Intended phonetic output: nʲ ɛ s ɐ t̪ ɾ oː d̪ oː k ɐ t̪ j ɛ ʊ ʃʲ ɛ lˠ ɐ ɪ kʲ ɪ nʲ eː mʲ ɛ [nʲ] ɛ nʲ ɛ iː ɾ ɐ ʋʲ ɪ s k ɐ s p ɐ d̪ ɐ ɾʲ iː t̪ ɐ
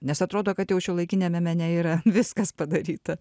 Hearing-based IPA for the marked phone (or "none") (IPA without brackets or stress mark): mʲ